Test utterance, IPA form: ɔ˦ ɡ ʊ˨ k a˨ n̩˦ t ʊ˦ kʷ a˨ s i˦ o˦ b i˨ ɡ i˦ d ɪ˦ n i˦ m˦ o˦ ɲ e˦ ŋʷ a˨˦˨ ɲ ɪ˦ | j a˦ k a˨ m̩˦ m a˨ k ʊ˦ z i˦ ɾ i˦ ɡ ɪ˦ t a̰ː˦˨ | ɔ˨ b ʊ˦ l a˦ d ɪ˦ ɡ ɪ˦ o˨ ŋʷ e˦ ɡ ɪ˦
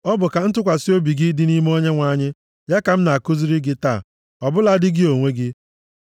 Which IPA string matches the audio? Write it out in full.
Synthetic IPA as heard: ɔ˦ b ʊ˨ k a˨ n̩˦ t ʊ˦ kʷ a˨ s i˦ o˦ b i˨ ɡ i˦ d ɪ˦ n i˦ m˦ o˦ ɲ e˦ ŋʷ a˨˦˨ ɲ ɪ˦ | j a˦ k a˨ m̩˦ n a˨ k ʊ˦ z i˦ ɾ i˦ ɡ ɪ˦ t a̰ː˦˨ | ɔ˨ b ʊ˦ l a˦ d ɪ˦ ɡ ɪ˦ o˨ ŋʷ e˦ ɡ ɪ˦

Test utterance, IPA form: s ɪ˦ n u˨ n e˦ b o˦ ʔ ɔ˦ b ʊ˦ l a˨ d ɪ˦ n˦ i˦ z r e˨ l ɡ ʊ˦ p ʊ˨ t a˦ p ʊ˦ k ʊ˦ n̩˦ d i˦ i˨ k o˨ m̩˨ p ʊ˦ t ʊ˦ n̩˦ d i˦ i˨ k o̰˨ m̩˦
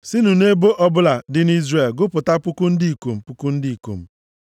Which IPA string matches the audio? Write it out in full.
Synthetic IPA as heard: s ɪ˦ n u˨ n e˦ b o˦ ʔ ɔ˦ b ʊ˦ l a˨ d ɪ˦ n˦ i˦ z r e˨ l ɡ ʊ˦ p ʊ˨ t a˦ p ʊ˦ k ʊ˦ n̩˦ d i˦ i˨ k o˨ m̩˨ p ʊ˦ k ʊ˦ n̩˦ d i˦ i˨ k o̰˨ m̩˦

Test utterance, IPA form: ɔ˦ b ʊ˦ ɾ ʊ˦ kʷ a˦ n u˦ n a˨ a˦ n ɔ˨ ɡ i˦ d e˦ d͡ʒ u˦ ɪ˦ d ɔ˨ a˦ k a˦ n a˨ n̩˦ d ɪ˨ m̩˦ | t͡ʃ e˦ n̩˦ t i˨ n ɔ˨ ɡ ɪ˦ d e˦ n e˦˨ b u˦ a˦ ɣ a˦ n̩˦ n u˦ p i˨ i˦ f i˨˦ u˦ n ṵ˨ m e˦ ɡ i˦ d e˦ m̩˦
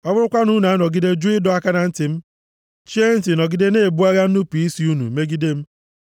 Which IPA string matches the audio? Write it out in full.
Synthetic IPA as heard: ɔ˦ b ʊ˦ ɾ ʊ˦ kʷ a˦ n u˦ n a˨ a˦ n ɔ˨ ɡ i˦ d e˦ d͡ʒ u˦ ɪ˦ d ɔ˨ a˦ k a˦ n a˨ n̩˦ t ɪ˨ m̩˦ | t͡ʃ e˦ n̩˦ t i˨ n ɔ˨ ɡ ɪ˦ d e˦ n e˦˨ b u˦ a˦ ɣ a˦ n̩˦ n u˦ p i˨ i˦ s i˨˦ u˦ n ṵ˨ m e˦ ɡ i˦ d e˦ m̩˦

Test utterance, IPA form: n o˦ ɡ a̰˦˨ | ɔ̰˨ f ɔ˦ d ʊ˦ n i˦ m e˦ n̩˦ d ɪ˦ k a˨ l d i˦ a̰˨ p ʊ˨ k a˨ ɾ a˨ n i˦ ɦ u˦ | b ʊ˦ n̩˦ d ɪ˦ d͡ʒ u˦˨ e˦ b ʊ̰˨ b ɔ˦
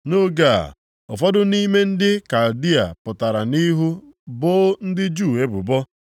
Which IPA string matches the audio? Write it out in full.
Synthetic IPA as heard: n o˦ ɡ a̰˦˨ | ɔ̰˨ f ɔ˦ d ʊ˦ n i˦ m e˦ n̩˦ d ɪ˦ k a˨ l d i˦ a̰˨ p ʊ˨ t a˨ ɾ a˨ n i˦ ɦ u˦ | b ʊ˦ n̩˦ d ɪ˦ d͡ʒ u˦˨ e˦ b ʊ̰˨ b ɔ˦

